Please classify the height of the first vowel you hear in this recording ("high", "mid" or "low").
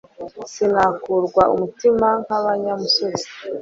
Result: high